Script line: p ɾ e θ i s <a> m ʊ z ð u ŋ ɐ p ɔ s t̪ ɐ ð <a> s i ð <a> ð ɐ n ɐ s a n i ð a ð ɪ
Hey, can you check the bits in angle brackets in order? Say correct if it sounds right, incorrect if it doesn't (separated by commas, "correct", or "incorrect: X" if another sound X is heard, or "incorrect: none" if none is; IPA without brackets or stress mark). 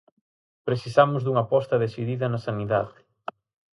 correct, incorrect: e, incorrect: i